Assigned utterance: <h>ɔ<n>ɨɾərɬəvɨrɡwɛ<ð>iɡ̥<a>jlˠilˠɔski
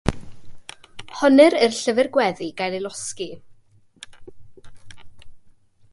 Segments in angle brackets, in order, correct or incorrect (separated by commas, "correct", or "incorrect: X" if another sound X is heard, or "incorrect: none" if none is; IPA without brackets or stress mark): correct, correct, correct, correct